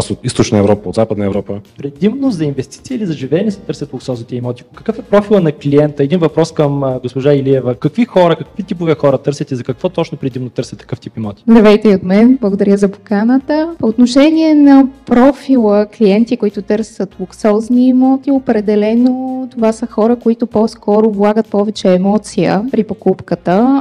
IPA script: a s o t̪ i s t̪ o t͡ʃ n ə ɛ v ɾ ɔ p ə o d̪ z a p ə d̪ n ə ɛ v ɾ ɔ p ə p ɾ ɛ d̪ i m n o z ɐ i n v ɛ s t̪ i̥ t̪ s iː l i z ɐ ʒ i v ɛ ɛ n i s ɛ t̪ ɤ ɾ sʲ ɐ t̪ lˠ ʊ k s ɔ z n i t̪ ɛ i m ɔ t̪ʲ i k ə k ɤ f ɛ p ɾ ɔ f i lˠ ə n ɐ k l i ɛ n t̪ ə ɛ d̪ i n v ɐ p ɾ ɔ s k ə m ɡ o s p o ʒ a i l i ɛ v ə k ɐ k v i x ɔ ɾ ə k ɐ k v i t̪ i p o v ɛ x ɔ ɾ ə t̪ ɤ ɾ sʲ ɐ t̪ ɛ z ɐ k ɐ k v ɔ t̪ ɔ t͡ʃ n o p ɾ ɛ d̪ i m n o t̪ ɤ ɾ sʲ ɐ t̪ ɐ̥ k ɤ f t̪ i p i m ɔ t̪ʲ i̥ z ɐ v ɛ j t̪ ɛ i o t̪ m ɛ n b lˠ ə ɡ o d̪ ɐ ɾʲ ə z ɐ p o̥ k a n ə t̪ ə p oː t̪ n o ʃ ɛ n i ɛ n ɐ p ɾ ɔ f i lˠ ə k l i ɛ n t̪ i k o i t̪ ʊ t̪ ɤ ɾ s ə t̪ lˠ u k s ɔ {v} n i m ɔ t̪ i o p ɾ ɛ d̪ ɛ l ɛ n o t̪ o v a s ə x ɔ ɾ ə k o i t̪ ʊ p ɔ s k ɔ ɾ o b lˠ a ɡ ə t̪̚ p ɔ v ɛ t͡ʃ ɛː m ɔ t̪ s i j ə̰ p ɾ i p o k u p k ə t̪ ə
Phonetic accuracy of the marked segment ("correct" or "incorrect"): incorrect